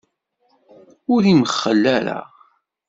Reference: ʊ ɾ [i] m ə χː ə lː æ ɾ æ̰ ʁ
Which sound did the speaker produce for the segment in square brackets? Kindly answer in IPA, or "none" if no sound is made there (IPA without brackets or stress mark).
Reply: i